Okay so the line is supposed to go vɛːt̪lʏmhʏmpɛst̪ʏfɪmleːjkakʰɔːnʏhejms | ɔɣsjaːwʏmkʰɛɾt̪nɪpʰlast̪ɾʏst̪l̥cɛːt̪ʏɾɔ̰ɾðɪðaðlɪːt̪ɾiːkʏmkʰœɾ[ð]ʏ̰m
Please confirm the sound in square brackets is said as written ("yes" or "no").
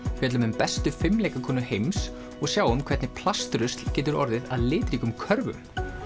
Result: no